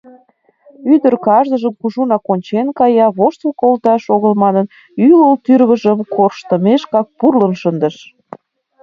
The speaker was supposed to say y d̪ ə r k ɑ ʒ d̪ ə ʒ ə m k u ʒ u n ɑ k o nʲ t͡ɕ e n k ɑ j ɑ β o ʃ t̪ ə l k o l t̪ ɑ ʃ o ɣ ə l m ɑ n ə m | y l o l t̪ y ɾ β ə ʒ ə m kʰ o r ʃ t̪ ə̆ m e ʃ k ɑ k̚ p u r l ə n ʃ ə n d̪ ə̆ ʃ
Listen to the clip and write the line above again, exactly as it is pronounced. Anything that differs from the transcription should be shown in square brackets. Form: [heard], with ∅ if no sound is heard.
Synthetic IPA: y d̪ ə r k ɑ ʒ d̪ ə ʒ ə m k u ʒ u n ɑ k o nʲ t͡ɕ e n k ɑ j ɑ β o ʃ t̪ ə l k o l t̪ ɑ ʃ o ɣ ə l m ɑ n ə [n] | y l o l t̪ y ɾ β ə ʒ ə m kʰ o r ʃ t̪ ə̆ m e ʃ k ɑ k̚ p u r l ə n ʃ ə n d̪ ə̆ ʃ